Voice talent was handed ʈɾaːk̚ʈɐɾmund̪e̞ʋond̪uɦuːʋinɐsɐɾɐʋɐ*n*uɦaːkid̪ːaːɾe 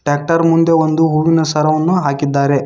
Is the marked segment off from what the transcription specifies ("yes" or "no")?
yes